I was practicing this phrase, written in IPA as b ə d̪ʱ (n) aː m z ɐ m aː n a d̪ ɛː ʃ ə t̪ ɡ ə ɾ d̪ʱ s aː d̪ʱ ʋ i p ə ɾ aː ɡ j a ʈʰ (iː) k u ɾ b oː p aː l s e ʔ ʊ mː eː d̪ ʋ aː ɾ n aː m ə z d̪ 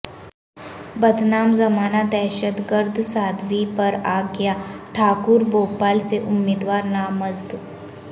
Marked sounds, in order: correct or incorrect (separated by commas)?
correct, incorrect